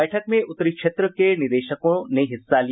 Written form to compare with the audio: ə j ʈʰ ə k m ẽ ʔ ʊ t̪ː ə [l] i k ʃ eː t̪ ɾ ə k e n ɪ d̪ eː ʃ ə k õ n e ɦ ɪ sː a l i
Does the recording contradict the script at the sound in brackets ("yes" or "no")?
yes